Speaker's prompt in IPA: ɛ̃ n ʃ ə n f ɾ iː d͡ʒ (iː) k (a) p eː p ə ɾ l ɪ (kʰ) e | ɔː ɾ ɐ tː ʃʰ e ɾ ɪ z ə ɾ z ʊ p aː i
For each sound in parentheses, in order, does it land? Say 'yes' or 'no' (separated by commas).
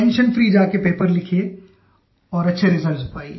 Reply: no, no, yes